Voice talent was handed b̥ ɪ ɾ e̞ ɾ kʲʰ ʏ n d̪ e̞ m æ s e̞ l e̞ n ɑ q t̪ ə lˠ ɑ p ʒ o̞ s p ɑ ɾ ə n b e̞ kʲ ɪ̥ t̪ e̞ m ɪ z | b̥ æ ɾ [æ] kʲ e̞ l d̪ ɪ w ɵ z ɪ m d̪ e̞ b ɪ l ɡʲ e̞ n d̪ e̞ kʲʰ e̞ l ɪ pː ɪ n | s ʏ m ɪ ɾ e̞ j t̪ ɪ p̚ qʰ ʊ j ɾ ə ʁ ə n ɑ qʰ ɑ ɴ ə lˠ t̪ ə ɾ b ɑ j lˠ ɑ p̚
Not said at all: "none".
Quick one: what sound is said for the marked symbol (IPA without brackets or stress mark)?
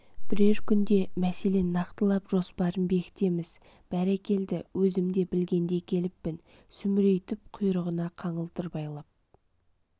æ